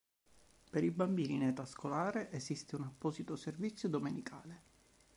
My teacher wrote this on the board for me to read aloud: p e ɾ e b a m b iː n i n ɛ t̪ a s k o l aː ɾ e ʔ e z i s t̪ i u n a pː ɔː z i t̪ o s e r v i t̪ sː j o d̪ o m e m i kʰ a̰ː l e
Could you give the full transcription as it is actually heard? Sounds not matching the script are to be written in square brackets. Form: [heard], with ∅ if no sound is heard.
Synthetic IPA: p e ɾ [i] b a m b iː n i n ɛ t̪ a s k o l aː ɾ e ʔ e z i s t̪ [e] u n a pː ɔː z i t̪ o s e r v i t̪ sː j o d̪ o m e [n] i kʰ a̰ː l e

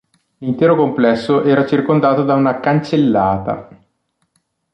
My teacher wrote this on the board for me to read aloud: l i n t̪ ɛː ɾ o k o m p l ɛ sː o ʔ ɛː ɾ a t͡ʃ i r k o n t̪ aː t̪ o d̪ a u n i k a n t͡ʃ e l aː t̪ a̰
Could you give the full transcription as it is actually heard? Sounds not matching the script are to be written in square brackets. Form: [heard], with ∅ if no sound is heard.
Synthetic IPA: l i n t̪ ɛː ɾ o k o m p l ɛ sː o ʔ ɛː ɾ a t͡ʃ i r k o n [d̪] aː t̪ o d̪ a u n [a] k a n t͡ʃ e [lː] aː t̪ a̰

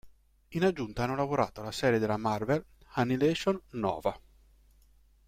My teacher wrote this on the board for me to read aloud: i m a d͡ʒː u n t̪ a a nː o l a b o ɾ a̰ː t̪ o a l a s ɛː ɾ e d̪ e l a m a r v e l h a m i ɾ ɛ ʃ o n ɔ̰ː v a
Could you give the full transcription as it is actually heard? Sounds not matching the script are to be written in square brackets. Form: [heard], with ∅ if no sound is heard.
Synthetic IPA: i [n] a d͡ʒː u n t̪ a a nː o l a [v] o ɾ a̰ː t̪ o a l a s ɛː ɾ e d̪ e l a m a r v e l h a [n] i [l] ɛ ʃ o [nː] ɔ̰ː v a

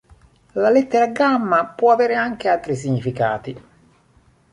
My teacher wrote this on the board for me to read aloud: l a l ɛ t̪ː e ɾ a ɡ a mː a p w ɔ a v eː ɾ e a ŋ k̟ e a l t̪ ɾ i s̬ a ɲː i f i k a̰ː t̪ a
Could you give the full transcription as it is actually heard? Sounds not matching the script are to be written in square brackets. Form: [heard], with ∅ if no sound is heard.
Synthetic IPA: l a l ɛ t̪ː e ɾ a ɡ a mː a p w ɔ a v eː ɾ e a ŋ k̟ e a l t̪ ɾ i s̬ [i] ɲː i f i k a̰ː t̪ [i]

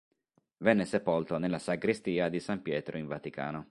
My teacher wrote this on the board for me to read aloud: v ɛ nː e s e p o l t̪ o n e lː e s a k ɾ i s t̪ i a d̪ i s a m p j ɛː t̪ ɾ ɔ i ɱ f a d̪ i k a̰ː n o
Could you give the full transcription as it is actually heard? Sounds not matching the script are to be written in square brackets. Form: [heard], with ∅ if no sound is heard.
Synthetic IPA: v ɛ nː e s e p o l t̪ o n e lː [a] s a [ɡ] ɾ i s t̪ [iː] a d̪ i s a m p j ɛː t̪ ɾ [o] i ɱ [v] a [t̪] i k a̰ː n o

